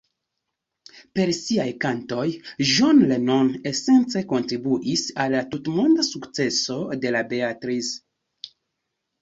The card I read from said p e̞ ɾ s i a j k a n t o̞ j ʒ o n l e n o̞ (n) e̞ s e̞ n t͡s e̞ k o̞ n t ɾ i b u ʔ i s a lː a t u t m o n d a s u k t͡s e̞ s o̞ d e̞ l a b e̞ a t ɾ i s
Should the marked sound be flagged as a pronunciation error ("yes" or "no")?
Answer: no